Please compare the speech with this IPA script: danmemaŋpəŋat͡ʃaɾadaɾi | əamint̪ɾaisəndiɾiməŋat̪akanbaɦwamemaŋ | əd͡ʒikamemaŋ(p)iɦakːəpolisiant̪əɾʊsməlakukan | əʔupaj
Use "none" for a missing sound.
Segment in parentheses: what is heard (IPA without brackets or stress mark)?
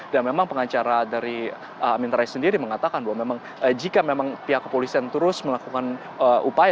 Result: p